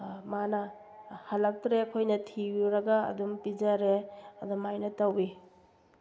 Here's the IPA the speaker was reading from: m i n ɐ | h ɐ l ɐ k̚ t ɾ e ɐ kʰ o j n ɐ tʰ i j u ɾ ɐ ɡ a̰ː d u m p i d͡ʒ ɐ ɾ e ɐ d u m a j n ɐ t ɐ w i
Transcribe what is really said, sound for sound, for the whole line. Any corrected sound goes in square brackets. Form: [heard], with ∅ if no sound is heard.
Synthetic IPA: m [a] n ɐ | h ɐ l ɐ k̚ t ɾ e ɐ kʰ o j n ɐ tʰ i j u ɾ ɐ ɡ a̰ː d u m p i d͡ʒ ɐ ɾ e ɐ d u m a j n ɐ t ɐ w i